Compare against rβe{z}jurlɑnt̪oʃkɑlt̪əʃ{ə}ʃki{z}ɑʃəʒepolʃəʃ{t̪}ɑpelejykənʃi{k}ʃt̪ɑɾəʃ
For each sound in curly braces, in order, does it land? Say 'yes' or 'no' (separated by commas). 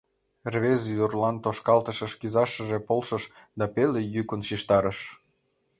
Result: yes, yes, yes, no, no